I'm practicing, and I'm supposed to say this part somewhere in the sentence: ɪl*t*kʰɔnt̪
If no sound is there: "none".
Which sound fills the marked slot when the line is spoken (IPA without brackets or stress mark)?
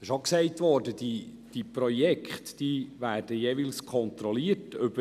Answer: s